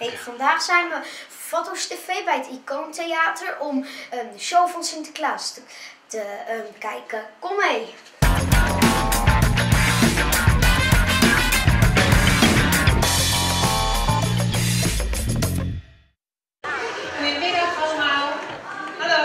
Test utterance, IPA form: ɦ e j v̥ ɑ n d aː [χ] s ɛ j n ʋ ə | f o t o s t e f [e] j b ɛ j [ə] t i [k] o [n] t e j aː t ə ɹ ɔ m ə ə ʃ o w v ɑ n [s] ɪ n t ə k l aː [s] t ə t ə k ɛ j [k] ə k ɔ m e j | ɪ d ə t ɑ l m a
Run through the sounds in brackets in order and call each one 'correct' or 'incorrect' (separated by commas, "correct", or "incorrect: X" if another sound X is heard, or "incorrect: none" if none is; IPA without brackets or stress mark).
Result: correct, correct, correct, correct, correct, correct, correct, correct